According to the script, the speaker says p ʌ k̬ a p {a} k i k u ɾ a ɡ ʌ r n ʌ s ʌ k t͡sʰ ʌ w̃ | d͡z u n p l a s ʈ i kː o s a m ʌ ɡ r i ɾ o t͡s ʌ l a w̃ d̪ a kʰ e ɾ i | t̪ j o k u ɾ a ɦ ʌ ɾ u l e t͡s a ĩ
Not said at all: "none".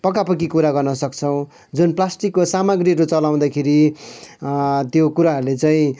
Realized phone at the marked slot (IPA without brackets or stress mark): ʌ